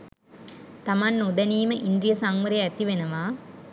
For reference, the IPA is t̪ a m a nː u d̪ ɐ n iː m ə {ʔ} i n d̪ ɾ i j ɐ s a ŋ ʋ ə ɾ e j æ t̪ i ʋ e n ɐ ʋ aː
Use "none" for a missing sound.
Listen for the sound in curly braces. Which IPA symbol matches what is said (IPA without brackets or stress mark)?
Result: ʔ